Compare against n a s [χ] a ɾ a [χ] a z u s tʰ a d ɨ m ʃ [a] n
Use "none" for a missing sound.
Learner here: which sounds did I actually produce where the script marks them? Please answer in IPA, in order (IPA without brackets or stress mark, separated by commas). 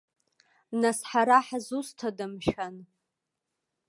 ħ, ħ, a